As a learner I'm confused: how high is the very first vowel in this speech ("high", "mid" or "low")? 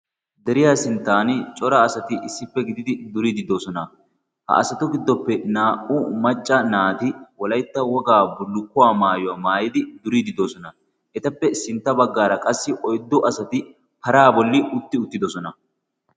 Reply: mid